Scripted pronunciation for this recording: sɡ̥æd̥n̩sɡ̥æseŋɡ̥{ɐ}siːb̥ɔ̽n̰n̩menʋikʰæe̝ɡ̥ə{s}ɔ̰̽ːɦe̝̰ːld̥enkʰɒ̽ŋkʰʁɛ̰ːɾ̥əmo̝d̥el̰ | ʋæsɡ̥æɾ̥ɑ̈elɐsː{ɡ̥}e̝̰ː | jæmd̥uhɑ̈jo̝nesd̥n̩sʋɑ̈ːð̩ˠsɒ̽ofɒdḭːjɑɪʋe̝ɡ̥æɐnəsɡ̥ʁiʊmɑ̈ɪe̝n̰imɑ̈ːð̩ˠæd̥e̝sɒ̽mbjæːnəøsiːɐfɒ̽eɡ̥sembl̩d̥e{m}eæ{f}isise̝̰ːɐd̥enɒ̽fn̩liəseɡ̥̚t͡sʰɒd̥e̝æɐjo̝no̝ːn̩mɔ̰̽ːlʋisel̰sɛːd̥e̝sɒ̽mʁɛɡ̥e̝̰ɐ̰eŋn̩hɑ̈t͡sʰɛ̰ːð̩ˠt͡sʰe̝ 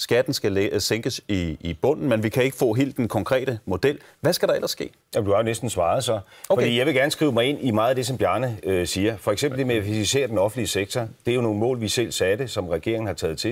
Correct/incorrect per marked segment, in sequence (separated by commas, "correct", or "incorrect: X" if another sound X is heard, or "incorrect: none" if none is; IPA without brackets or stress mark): incorrect: ə, incorrect: f, correct, correct, correct